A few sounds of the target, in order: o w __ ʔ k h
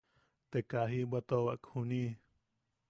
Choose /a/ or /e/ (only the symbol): a